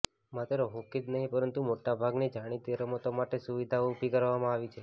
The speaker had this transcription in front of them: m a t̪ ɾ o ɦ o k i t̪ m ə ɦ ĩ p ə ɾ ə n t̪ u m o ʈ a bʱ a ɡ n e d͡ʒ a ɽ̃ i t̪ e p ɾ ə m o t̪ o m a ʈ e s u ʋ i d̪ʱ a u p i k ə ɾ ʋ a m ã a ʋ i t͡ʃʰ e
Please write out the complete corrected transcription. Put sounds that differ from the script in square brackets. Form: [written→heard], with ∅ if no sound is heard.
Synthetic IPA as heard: m a t̪ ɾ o ɦ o k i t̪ [m→n] ə ɦ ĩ p ə ɾ ə n t̪ u m o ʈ a bʱ a ɡ n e d͡ʒ a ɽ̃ i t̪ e [p→∅] ɾ ə m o t̪ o m a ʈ e s u ʋ i d̪ʱ a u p i k ə ɾ ʋ a m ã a ʋ i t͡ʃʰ e